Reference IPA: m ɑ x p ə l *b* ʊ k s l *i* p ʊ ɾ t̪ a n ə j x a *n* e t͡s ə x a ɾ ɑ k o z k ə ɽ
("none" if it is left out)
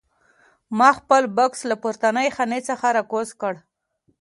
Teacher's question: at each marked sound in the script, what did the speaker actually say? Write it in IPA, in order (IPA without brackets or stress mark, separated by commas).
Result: b, a, n